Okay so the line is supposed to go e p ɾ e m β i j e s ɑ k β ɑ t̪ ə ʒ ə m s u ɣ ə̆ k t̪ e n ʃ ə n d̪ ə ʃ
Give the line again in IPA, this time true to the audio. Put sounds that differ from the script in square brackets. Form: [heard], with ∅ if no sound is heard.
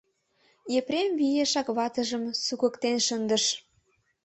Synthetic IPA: e p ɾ e m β i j e [ʃ] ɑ k β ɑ t̪ ə ʒ ə m s u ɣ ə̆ k t̪ e n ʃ ə n d̪ ə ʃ